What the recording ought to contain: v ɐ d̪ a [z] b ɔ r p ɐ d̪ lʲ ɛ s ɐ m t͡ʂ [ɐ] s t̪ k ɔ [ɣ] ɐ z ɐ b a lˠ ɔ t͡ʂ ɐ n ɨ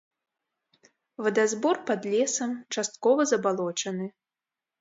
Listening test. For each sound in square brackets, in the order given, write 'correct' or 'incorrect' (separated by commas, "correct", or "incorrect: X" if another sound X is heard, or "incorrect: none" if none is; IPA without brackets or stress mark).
correct, incorrect: a, incorrect: v